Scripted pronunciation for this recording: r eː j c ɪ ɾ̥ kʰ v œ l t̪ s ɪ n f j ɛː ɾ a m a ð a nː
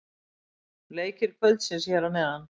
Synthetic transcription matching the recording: l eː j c ɪ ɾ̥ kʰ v œ l t̪ s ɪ n s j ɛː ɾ a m ɛ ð a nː